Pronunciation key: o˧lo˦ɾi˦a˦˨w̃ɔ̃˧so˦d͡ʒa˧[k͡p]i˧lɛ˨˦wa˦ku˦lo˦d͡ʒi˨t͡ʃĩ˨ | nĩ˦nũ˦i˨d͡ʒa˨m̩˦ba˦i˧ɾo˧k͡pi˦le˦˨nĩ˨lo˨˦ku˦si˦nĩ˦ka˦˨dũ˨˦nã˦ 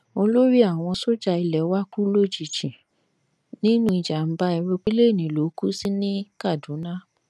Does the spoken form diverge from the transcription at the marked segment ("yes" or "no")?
yes